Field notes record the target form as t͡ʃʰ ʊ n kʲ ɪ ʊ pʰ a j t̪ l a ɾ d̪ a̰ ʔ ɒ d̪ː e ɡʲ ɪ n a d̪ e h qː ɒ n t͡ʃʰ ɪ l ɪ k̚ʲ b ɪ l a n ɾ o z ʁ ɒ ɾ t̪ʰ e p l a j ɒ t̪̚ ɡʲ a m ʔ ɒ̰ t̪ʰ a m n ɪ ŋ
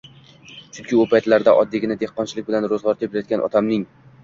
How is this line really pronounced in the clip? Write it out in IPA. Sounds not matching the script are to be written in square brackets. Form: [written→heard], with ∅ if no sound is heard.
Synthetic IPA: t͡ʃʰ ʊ n kʲ ɪ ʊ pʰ a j t̪ l a ɾ d̪ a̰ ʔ ɒ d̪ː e ɡʲ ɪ n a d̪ e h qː ɒ n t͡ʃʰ ɪ l ɪ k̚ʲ b ɪ l a n ɾ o z ʁ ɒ ɾ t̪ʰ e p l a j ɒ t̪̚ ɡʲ a [m→n] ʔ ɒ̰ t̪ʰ a m n ɪ ŋ